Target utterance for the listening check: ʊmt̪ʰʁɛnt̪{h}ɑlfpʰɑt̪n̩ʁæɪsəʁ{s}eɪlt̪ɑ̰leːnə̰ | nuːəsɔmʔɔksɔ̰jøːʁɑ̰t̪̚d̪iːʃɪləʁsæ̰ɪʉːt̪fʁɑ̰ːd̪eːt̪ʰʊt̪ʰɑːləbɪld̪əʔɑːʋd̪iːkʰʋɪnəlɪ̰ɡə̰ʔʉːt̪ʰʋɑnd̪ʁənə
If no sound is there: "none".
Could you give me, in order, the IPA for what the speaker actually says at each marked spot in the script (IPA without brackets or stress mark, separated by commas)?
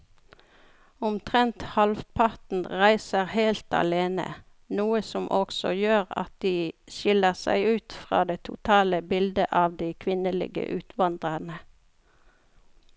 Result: h, h